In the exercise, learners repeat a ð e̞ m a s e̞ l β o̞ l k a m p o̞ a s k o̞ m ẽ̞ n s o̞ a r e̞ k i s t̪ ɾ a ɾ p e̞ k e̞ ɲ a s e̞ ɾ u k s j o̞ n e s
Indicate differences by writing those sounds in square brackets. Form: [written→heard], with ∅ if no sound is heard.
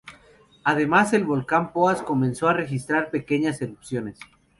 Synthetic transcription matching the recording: a ð e̞ m a s e̞ l β o̞ l k a m p o̞ a s k o̞ m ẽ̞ n s o̞ a r e̞ [k→x] i s t̪ ɾ a ɾ p e̞ k e̞ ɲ a s e̞ ɾ u [k→p] s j o̞ n e s